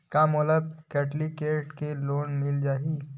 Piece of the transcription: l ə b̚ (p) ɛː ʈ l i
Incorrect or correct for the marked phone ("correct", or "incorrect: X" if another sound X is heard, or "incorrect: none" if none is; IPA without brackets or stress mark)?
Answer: incorrect: k